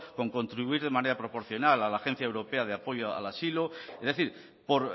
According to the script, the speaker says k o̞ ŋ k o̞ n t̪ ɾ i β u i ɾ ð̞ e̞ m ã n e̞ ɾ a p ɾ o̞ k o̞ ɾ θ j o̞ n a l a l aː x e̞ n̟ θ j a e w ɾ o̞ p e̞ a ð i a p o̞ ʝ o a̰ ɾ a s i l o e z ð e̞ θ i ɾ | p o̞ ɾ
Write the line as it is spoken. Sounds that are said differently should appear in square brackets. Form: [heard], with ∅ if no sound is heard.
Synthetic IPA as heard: k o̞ ŋ k o̞ n t̪ ɾ i β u i ɾ ð̞ e̞ m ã n e̞ ɾ a p ɾ o̞ [p] o̞ ɾ θ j o̞ n a l a l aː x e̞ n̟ θ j a e w ɾ o̞ p e̞ a ð [e] a p o̞ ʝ o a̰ [l] a s i l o e z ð e̞ θ i ɾ | p o̞ ɾ